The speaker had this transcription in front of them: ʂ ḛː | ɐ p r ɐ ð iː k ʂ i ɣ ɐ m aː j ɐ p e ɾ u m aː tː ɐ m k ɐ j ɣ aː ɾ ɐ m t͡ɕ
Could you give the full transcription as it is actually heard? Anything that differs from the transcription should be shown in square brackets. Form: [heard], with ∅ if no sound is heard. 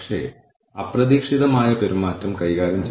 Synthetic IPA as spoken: ʂ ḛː | ɐ p r ɐ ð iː k ʂ i [ð] ɐ m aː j ɐ p e ɾ u m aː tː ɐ m k ɐ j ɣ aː ɾ ɐ m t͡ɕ